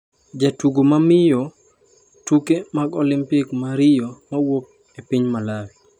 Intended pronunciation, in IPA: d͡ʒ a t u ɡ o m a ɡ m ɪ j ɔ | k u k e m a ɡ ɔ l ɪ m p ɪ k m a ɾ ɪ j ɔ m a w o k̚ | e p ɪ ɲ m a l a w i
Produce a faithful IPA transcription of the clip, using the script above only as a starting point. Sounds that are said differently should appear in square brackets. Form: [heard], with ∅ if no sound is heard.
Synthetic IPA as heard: d͡ʒ a t u ɡ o m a [∅] m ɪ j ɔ | [t] u k e m a ɡ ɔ l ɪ m p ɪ k m a ɾ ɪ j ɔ m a w o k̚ | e p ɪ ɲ m a l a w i